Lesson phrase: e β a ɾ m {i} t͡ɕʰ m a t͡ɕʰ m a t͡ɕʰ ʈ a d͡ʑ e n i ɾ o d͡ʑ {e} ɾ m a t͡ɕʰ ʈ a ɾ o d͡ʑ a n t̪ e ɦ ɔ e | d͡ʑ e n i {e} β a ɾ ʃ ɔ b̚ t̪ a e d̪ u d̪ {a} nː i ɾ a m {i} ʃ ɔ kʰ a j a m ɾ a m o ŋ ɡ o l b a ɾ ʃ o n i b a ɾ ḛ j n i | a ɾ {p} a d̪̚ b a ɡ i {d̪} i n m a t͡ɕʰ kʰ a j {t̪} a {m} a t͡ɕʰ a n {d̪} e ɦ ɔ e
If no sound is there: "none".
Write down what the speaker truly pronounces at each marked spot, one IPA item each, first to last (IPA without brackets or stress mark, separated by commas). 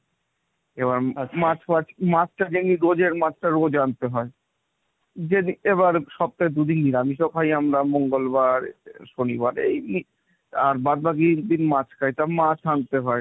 a, e, e, i, i, b, d̪, t̪, m, t̪